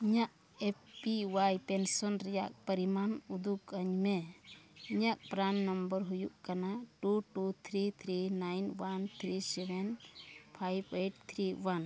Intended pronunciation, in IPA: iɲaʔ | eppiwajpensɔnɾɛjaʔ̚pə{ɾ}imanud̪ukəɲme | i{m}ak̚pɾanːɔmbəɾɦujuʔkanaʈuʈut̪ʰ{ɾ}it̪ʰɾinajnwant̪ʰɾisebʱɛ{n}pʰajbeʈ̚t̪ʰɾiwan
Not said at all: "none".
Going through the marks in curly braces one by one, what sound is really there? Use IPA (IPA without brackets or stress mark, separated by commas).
ɾ, ɲ, ɾ, n